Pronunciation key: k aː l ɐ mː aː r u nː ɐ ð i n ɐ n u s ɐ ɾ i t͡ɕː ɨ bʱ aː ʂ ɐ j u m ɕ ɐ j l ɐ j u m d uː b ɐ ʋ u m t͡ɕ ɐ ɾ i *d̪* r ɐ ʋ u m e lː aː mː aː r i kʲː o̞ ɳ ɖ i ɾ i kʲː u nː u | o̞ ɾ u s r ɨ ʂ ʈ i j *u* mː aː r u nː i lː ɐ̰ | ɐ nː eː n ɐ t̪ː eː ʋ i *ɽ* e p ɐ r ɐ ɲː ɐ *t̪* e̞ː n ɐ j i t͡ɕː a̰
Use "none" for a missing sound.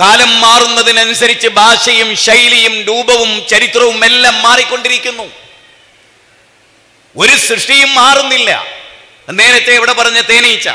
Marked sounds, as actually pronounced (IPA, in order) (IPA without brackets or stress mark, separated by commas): t̪, u, ɽ, t̪